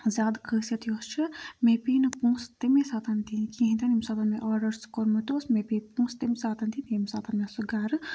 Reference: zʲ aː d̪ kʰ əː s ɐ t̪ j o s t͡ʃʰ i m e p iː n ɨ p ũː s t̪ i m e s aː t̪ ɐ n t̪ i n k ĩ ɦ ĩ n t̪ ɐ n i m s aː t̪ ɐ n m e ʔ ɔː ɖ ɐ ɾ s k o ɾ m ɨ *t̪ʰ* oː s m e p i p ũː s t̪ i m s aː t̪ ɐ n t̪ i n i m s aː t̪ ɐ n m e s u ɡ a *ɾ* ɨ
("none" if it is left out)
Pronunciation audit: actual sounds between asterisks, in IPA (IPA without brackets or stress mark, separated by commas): t̪, ɾ